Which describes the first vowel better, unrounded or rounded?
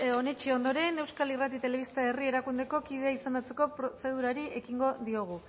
rounded